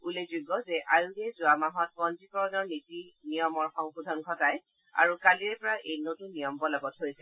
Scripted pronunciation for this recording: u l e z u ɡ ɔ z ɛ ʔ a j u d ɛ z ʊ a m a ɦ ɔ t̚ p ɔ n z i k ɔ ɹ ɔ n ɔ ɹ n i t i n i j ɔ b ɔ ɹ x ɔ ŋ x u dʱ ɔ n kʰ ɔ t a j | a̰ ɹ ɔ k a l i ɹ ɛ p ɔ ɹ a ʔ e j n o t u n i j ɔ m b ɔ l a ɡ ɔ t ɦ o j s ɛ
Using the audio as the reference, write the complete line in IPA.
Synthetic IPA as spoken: u l e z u ɡ ɔ z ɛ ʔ a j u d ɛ z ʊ a m a ɦ ɔ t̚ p ɔ n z i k ɔ ɹ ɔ n ɔ ɹ n i t i n i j ɔ m ɔ ɹ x ɔ ŋ x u dʱ ɔ n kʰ ɔ t a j | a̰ ɹ u k a l i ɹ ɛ p ɔ ɹ a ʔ e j n o t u n i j ɔ m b ɔ l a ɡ ɔ t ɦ o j s ɛ